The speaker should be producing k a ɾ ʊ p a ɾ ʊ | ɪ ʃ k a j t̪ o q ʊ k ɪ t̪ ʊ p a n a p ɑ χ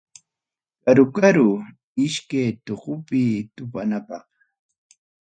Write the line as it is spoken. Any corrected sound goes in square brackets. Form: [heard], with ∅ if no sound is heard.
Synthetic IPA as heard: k a ɾ ʊ [k] a ɾ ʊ | ɪ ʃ k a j t̪ o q ʊ [p] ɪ t̪ ʊ p a n a p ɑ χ